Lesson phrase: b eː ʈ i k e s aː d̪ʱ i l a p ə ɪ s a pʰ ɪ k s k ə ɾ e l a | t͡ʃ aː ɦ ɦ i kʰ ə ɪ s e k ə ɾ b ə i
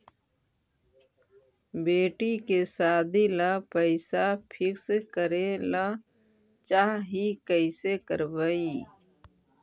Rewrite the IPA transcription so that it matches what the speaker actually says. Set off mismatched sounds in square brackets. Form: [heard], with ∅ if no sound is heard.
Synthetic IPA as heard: b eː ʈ i k e s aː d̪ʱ i l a p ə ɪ s a pʰ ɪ k s k ə ɾ e l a | t͡ʃ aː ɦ ɦ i [k] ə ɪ s e k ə ɾ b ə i